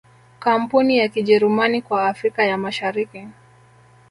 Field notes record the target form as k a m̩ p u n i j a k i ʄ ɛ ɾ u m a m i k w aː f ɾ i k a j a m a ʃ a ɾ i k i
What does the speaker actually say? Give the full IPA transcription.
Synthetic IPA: k a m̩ p u n i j a k i ʄ ɛ ɾ u m a n i k w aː f ɾ i k a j a m a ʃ a ɾ i k i

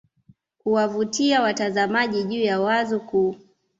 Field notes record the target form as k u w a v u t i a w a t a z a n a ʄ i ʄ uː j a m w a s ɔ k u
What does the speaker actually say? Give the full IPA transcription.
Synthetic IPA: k u w a v u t i a w a t a z a m a ʄ i ʄ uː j a w a z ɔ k u

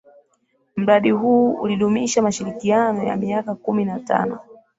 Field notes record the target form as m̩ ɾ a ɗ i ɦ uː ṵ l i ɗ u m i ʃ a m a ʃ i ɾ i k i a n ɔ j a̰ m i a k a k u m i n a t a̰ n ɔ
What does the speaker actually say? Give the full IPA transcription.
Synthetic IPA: m̩ ɾ a ɗ i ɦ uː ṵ l i ɗ u m i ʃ a m a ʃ i ɾ i k i a n ɔ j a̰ m i a k a k u m i n a t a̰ n ɔ

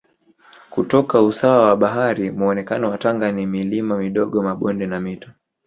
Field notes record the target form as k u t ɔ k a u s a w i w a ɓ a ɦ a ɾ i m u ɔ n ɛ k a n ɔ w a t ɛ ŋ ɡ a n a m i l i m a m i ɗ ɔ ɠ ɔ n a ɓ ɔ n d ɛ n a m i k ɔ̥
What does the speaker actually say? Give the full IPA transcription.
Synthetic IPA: k u t ɔ k a u s a w a w a ɓ a ɦ a ɾ i m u ɔ n ɛ k a n ɔ w a t a ŋ ɡ a n i m i l i m a m i ɗ ɔ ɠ ɔ m a ɓ ɔ n d ɛ n a m i t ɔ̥

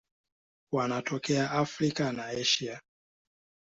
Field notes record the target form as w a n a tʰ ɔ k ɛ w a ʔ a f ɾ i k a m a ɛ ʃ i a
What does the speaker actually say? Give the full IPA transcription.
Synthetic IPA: w a n a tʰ ɔ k ɛ a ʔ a f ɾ i k a n a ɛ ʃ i a

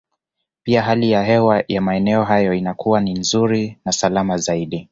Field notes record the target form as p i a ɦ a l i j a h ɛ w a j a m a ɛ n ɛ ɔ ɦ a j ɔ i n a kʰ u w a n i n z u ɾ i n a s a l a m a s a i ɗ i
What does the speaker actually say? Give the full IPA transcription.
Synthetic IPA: p i a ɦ a l i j a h ɛ w a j a m a ɛ n ɛ ɔ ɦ a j ɔ i n a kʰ u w a n i n z u ɾ i n a s a l a m a z a i ɗ i

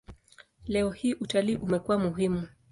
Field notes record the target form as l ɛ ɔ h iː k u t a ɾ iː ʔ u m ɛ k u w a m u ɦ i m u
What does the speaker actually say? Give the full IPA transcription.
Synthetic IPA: l ɛ ɔ h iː ʔ u t a l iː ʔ u m ɛ k u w a m u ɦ i m u

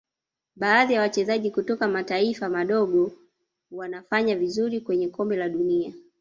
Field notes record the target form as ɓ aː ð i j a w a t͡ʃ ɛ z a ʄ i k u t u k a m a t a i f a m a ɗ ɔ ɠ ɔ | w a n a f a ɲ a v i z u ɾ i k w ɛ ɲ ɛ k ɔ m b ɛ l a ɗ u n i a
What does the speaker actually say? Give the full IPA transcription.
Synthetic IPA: ɓ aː ð i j a w a t͡ʃ ɛ z a ʄ i k u t ɔ k a m a t a i f a m a ɗ ɔ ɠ ɔ | w a n a f a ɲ a v i z u ɾ i k w ɛ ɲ ɛ k ɔ m b ɛ l a ɗ u n i a

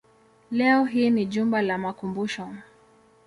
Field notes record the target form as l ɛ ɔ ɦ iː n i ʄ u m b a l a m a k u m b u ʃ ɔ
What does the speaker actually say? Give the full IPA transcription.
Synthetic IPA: l ɛ ɔ ɦ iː n i ʄ u m b a l a m a k u m b u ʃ ɔ

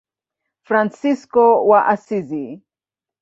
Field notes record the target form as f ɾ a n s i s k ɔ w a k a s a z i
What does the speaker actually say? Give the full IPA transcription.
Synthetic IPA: f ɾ a n s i s k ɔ w a ʔ a s i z i

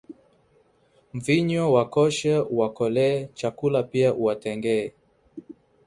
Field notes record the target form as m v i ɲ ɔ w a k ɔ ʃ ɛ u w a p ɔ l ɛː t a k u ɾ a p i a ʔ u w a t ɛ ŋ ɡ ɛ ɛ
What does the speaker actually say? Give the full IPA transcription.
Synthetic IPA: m v i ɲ ɔ w a k ɔ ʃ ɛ u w a k ɔ l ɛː t͡ʃ a k u l a p i a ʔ u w a t ɛ ŋ ɡ ɛ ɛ

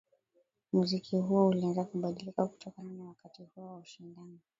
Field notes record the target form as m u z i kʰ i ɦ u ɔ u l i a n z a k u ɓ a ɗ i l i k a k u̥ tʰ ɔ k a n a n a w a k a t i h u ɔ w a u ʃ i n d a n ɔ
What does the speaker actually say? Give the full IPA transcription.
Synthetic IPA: m u z i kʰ i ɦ u ɔ u l i a n z a k u ɓ a ɗ i l i k a k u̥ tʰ ɔ k a n a n a w a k a t i h u ɔ w a u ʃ i n d a n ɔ

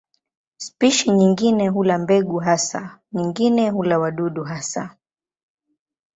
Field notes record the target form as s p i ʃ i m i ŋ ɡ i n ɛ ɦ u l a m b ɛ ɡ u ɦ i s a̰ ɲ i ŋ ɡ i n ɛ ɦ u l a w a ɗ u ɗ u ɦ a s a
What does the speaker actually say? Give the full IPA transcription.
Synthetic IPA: s p i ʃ i ɲ i ŋ ɡ i n ɛ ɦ u l a m b ɛ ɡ u ɦ a s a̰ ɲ i ŋ ɡ i n ɛ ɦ u l a w a ɗ u ɗ u ɦ a s a

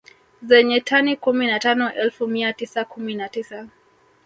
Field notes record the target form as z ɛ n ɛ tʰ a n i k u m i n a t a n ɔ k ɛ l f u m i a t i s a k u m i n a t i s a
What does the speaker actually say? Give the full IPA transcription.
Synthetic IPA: z ɛ ɲ ɛ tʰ a n i k u m i n a t a n ɔ ʔ ɛ l f u m i a t i s a k u m i n a t i s a

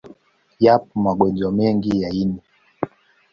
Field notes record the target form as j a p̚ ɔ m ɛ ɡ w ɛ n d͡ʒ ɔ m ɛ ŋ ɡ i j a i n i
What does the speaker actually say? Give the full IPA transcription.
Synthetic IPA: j a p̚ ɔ m a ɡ w ɛ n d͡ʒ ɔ m ɛ ŋ ɡ i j a i n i

